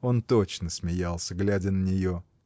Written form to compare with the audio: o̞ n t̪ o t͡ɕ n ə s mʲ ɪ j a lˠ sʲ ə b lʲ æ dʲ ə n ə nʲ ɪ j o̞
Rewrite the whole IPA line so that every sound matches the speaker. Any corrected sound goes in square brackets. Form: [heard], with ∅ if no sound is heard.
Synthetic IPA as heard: o̞ n t̪ o t͡ɕ n ə s mʲ ɪ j a lˠ sʲ ə [ɡ] lʲ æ dʲ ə n ə nʲ ɪ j o̞